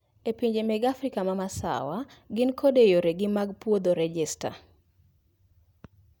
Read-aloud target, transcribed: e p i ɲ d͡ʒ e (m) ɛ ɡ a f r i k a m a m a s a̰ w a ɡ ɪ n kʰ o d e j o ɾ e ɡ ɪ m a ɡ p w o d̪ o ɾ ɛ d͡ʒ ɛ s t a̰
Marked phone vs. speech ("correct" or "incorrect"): correct